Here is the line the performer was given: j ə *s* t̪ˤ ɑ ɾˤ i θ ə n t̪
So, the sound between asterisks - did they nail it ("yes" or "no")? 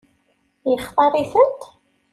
no